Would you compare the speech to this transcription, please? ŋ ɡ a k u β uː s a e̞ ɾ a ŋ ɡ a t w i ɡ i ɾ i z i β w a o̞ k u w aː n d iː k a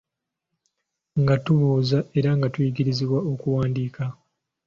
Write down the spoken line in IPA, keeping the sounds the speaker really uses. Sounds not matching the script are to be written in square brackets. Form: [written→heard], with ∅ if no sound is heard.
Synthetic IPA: ŋ ɡ a [k→t] u β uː [s→z] a e̞ ɾ a ŋ ɡ a t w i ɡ i ɾ i z i β w a o̞ k u w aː n d iː k a